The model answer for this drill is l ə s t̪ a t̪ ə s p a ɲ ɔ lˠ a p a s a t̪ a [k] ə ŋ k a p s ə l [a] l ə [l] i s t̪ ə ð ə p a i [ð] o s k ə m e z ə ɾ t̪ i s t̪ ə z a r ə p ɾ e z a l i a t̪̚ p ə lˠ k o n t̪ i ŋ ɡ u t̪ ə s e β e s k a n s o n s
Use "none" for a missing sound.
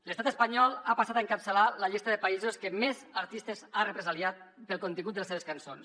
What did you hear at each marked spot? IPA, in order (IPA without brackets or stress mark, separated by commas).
none, a, ʎ, z